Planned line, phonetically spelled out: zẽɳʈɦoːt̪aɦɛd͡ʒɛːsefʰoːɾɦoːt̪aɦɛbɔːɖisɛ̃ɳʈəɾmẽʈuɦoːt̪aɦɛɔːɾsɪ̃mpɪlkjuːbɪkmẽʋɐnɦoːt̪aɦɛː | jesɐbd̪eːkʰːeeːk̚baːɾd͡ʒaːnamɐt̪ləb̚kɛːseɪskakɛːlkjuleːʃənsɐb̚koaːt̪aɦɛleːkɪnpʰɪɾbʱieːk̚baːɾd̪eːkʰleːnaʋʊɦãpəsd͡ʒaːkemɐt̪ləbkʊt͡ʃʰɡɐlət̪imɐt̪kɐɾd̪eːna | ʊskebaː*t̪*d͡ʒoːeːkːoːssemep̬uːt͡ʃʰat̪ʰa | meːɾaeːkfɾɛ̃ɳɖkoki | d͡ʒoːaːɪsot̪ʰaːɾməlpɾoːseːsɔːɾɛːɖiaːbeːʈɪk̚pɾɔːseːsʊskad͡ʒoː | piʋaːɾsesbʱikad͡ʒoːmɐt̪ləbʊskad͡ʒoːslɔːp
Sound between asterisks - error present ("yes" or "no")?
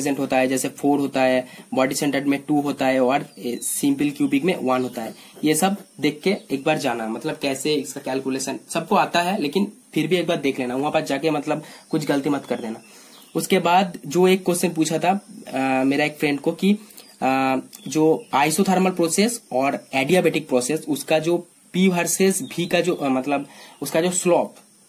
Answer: yes